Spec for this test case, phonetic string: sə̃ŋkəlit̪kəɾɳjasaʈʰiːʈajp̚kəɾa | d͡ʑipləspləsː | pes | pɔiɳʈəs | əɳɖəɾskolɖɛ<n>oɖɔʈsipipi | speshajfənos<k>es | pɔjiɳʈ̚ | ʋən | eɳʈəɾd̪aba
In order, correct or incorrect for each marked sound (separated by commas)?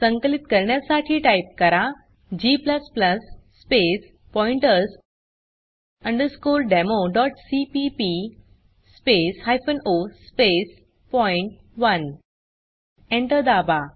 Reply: incorrect, incorrect